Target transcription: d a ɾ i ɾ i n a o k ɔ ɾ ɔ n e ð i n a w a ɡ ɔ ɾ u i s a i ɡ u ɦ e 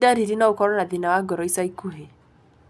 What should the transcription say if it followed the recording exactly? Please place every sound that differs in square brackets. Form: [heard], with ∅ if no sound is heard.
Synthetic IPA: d a ɾ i ɾ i n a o k ɔ ɾ ɔ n [a] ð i n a w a ɡ ɔ ɾ [ɔ] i s a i [k] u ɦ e